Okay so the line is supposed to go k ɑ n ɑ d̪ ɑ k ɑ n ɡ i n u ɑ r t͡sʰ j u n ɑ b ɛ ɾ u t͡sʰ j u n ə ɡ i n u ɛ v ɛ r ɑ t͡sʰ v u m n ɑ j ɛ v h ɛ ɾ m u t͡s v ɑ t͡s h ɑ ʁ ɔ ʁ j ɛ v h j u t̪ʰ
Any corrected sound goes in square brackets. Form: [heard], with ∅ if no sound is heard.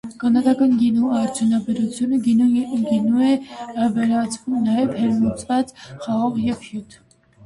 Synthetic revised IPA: k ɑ n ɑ d̪ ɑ k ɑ n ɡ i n u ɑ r t͡sʰ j u n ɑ b ɛ ɾ u t͡sʰ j u n ə ɡ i n u ɛ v ɛ [ɾ] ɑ t͡sʰ v u m n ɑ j ɛ v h ɛ ɾ m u t͡s v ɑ t͡s [χ] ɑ ʁ ɔ ʁ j ɛ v h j u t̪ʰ

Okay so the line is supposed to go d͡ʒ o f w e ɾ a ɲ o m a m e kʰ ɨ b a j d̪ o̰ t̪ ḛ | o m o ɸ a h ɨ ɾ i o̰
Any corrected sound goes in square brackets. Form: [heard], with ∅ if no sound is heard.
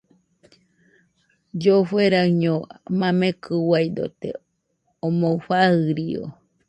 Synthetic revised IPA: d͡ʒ o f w e ɾ a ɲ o m a m e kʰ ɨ [w] a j d̪ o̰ t̪ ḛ | o m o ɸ a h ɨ ɾ i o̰

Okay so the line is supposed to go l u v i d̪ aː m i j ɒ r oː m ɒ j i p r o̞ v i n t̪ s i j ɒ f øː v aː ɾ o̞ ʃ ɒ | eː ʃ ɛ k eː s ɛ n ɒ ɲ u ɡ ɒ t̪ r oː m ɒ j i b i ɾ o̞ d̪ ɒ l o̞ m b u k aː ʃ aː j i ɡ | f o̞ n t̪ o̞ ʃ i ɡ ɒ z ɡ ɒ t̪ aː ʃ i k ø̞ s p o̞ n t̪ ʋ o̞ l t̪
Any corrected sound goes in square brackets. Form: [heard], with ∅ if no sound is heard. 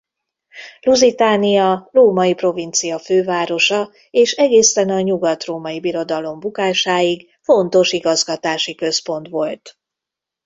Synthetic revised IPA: l u [z] i [t̪] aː [n] i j ɒ r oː m ɒ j i p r o̞ v i n t̪ s i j ɒ f øː v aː ɾ o̞ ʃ ɒ | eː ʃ ɛ [ɡ] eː s ɛ n ɒ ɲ u ɡ ɒ t̪ r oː m ɒ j i b i ɾ o̞ d̪ ɒ l o̞ m b u k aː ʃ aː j i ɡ | f o̞ n t̪ o̞ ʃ i ɡ ɒ z ɡ ɒ t̪ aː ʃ i k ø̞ s p o̞ n t̪ ʋ o̞ l t̪

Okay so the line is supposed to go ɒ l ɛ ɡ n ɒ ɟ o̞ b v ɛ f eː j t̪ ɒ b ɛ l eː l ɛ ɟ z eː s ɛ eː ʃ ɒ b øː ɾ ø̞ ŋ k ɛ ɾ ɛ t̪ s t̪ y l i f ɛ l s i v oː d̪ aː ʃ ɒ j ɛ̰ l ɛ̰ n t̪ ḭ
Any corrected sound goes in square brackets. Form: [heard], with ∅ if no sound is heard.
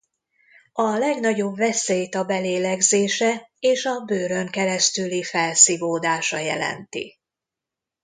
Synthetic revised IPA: ɒ l ɛ ɡ n ɒ ɟ o̞ b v ɛ [s] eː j t̪ ɒ b ɛ l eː l ɛ [ɡ] z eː [ʃ] ɛ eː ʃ ɒ b øː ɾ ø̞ ŋ k ɛ ɾ ɛ [∅] s t̪ y l i f ɛ l s i v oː d̪ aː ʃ ɒ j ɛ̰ l ɛ̰ n t̪ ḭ

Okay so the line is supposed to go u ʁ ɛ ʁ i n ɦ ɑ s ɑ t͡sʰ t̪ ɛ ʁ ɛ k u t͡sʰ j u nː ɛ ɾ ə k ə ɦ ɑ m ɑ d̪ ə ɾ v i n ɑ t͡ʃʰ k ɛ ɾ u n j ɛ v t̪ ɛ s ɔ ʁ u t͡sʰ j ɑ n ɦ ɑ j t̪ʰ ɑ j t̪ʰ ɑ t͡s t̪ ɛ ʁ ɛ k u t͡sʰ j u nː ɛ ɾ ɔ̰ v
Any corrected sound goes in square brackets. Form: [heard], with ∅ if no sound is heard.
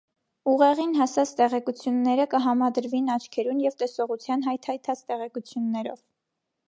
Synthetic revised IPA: u ʁ ɛ ʁ i n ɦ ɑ s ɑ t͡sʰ t̪ ɛ ʁ ɛ k u t͡sʰ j u nː ɛ ɾ ə k ə ɦ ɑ m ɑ d̪ ə ɾ v i n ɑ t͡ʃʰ [kʰ] ɛ ɾ u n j ɛ v t̪ ɛ s ɔ ʁ u t͡sʰ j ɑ n ɦ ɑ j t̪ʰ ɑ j t̪ʰ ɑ t͡s t̪ ɛ ʁ ɛ k u t͡sʰ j u nː ɛ ɾ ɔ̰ v

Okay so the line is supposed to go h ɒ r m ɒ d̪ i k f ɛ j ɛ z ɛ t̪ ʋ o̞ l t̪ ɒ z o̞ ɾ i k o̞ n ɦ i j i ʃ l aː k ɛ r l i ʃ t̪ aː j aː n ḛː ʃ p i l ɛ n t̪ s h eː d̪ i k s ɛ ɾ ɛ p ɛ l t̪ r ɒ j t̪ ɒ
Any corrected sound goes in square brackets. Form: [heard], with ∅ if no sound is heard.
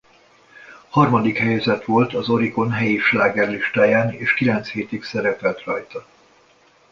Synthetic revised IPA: h ɒ r m ɒ d̪ i k [h] ɛ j ɛ z ɛ t̪ ʋ o̞ l t̪ ɒ z o̞ ɾ i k o̞ n ɦ [ɛ] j i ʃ l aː [ɡ] ɛ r l i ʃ t̪ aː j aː n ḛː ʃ [k] i l ɛ n t̪ s h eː [t̪] i k s ɛ ɾ ɛ p ɛ l t̪ r ɒ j t̪ ɒ

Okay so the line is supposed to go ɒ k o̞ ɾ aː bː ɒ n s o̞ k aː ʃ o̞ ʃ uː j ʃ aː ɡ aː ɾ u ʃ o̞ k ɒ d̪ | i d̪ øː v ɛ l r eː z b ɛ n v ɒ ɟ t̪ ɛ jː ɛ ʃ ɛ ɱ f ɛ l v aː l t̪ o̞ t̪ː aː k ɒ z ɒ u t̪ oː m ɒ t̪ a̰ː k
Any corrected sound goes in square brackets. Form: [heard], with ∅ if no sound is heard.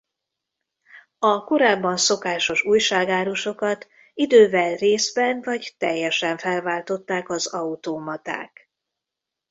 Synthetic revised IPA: ɒ k o̞ ɾ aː bː ɒ n s o̞ k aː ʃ o̞ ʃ uː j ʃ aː ɡ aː ɾ u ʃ o̞ k ɒ [t̪] | i d̪ øː v ɛ l r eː z b ɛ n v ɒ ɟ t̪ ɛ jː ɛ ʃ ɛ ɱ f ɛ l v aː l t̪ o̞ t̪ː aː k ɒ z ɒ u t̪ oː m ɒ t̪ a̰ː k

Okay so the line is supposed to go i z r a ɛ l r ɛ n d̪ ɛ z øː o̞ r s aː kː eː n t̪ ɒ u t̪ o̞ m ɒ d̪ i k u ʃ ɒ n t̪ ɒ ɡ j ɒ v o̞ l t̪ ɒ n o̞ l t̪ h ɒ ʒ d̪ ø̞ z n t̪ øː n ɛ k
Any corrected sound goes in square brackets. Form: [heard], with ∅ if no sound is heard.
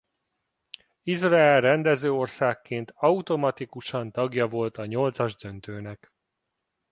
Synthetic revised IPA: i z r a ɛ l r ɛ n d̪ ɛ z øː o̞ r s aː kː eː n t̪ ɒ u t̪ o̞ m ɒ [t̪] i k u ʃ ɒ n t̪ ɒ ɡ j ɒ v o̞ l t̪ ɒ [ɲ] o̞ l t̪ [s] ɒ ʒ d̪ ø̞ [∅] n t̪ øː n ɛ k

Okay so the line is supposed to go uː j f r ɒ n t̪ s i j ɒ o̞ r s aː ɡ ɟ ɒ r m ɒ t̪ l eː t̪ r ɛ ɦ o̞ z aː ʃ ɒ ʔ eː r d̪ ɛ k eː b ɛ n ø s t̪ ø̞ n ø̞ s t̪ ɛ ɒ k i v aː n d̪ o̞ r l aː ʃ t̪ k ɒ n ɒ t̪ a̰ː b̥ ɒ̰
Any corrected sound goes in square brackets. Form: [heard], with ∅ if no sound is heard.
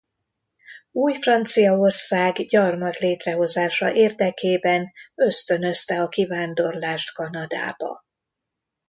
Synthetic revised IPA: uː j f r ɒ n t̪ s i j ɒ o̞ r s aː ɡ ɟ ɒ r m ɒ t̪ l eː t̪ r ɛ ɦ o̞ z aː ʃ ɒ ʔ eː r d̪ ɛ k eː b ɛ n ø s t̪ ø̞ n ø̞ s t̪ ɛ ɒ k i v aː n d̪ o̞ r l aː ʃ t̪ k ɒ n ɒ [d̪] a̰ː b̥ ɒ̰

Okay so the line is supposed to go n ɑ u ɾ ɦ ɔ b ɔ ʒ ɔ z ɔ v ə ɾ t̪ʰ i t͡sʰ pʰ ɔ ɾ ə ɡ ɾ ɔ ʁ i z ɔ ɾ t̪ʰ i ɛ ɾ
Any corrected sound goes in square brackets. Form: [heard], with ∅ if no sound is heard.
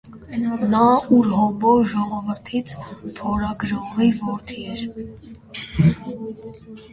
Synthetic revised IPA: n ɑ u ɾ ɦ ɔ b ɔ ʒ ɔ [ʁ] ɔ v ə ɾ t̪ʰ i t͡sʰ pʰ ɔ ɾ [ɑ] ɡ ɾ ɔ ʁ i [v] ɔ ɾ t̪ʰ i ɛ ɾ

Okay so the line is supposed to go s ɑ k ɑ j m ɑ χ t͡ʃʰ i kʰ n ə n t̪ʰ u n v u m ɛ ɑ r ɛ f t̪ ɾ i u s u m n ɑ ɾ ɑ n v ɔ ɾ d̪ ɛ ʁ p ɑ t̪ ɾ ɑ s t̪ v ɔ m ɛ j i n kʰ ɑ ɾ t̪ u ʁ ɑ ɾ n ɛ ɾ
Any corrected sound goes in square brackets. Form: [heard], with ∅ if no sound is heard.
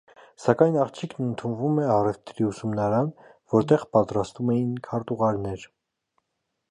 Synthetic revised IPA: s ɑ k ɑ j [n] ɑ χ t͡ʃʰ i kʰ n ə n t̪ʰ u n v u m ɛ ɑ r ɛ f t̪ ɾ i u s u m n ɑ ɾ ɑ n v ɔ ɾ [t̪] ɛ ʁ p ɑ t̪ ɾ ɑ s t̪ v [u] m ɛ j i n kʰ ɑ ɾ t̪ u ʁ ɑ ɾ n ɛ ɾ

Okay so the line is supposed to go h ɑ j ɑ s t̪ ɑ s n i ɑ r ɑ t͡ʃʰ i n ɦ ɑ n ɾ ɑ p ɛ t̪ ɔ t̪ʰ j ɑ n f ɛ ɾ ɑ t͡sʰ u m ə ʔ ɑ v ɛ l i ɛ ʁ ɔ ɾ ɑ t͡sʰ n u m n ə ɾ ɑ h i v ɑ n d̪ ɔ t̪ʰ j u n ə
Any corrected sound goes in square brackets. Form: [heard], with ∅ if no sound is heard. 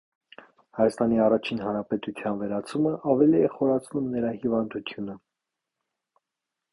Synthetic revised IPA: h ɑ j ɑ s t̪ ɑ [∅] n i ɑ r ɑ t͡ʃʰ i n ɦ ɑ n ɾ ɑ p ɛ t̪ [u] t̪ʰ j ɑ n [v] ɛ ɾ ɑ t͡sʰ u m ə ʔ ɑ v ɛ l i ɛ [χ] ɔ ɾ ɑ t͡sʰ n u m n ə ɾ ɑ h i v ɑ n d̪ [u] t̪ʰ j u n ə

